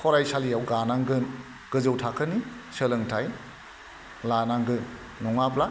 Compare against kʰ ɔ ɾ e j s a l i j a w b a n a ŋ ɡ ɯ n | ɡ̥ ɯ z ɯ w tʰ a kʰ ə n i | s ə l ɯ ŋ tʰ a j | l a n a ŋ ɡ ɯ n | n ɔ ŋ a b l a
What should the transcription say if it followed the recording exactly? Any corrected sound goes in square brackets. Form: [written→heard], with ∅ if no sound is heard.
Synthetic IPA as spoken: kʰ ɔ ɾ [e→a] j s a l i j a w [b→ɡ] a n a ŋ ɡ ɯ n | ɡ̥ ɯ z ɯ w tʰ a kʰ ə n i | s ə l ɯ ŋ tʰ a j | l a n a ŋ ɡ ɯ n | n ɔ ŋ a b l a